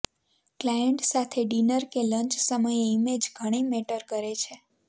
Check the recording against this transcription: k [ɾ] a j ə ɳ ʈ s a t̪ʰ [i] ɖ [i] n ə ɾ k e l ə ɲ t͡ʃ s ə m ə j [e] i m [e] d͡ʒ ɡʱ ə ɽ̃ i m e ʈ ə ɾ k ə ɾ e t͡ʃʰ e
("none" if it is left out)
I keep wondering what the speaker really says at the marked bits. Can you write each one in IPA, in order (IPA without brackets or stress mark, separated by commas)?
l, e, i, e, e